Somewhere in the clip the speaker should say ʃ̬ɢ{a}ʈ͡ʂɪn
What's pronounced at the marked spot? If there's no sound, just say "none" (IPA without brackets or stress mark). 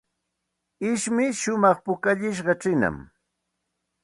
ɑ